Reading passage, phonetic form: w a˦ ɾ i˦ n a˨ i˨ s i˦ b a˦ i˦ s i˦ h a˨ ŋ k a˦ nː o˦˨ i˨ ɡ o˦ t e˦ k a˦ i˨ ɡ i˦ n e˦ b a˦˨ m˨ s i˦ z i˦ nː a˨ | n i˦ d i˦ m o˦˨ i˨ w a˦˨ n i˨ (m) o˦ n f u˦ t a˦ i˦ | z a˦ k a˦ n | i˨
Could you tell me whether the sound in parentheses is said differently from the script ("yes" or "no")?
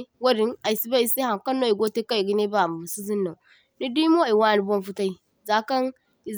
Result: yes